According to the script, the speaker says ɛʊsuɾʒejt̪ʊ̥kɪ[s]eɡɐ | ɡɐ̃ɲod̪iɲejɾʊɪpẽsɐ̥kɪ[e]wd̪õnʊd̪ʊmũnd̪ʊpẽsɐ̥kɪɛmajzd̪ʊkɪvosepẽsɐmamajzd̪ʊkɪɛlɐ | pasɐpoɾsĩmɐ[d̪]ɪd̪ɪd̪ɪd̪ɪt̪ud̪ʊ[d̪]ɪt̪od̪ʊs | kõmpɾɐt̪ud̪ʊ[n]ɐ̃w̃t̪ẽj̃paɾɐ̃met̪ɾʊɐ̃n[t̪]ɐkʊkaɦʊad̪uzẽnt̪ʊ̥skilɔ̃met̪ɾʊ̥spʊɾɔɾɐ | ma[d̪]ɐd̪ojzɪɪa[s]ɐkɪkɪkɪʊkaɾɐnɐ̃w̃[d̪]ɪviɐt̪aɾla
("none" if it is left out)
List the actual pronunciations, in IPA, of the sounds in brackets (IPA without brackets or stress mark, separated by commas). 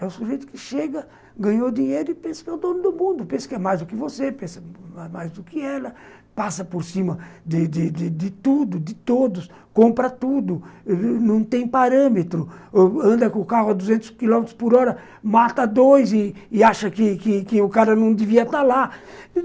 ʃ, ɛ, d̪, d̪, n, d̪, t̪, ʃ, d̪